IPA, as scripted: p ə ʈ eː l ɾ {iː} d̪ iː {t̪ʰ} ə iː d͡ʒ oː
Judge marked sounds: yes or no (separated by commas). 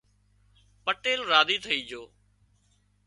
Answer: no, yes